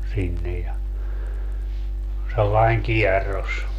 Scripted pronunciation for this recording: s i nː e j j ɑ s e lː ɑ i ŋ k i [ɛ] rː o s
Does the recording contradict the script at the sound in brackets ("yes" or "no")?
no